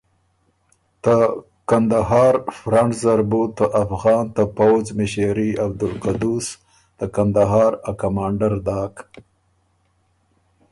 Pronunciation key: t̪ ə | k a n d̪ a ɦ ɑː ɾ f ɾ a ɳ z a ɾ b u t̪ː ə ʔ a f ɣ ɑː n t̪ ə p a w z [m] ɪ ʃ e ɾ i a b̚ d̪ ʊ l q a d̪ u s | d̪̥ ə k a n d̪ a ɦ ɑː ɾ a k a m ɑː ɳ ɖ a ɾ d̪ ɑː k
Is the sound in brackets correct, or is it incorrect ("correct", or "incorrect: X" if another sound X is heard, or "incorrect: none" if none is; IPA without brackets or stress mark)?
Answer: correct